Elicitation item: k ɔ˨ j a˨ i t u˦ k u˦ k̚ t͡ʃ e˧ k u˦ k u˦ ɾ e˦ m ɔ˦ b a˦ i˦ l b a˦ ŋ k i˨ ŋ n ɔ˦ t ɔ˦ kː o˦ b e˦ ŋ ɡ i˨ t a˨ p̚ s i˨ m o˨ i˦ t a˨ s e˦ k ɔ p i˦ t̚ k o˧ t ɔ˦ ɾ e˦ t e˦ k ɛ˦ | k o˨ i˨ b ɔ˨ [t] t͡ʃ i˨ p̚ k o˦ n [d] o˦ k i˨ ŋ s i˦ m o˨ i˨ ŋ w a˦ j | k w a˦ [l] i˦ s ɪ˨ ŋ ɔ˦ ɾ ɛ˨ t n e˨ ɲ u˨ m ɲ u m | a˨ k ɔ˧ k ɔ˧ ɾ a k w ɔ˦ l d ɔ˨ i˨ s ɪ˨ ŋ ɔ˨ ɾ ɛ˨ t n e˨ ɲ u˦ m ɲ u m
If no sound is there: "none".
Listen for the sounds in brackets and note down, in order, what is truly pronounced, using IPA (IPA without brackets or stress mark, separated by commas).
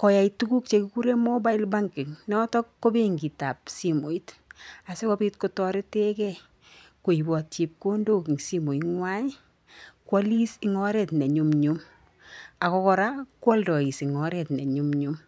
t, d, l